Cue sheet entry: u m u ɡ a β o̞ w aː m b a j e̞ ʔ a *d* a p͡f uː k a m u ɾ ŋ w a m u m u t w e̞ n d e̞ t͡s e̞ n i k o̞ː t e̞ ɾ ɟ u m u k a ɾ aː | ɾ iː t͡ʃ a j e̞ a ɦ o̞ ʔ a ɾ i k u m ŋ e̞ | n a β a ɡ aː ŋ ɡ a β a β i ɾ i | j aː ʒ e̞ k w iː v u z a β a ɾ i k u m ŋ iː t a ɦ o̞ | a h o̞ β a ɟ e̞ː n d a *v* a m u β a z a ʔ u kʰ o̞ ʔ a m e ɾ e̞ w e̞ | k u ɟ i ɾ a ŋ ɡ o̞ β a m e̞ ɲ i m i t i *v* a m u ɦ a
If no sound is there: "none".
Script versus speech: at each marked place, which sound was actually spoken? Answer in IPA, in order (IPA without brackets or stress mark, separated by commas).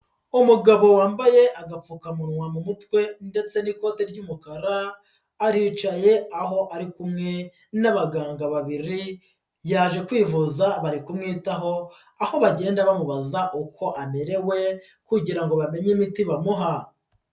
ɡ, β, β